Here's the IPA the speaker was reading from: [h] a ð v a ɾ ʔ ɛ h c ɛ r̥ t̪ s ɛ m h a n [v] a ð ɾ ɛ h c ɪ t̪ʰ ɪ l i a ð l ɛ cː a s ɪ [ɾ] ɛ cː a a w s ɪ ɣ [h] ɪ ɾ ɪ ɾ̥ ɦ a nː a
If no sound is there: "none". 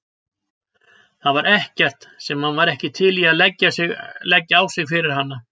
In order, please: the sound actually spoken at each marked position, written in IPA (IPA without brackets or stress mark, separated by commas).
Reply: θ, v, l, f